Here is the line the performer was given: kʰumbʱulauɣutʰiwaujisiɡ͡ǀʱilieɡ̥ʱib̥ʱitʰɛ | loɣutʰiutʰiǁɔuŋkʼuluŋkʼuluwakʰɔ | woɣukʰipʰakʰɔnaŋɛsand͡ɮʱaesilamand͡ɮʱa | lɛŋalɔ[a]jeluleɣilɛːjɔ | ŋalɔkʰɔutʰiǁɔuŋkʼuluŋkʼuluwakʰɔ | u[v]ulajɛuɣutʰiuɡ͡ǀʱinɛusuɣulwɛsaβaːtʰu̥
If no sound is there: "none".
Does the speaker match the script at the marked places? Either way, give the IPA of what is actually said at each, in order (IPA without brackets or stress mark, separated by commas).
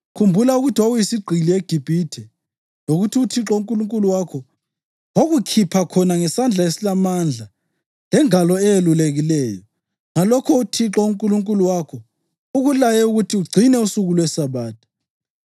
ɛ, ɣ